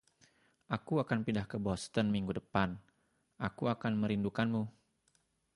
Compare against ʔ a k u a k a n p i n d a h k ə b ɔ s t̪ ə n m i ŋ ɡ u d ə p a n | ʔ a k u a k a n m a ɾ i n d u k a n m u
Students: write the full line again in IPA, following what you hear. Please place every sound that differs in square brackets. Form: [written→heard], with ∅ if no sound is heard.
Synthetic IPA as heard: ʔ a k u a k a n p i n d a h k ə b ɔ s t̪ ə n m i ŋ ɡ u d ə p a n | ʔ a k u a k a n m [a→ə] ɾ i n d u k a n m u